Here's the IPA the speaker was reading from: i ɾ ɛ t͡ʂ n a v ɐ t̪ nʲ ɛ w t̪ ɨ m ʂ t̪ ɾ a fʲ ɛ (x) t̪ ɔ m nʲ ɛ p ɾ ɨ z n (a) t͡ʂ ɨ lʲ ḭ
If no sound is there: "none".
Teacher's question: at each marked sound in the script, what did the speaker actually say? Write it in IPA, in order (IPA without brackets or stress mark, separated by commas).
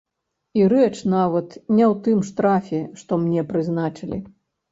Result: ʂ, a